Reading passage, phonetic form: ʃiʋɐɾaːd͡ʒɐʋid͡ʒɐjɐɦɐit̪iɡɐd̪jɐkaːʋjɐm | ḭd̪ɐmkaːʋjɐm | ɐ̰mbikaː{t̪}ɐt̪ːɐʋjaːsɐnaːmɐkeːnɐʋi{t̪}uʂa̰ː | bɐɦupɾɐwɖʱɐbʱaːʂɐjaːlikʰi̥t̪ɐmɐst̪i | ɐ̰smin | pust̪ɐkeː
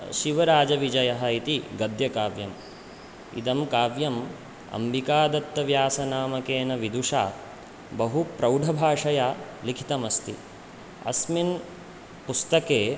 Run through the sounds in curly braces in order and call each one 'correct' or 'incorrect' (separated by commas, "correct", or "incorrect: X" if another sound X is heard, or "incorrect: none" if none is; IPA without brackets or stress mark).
incorrect: d̪, incorrect: d̪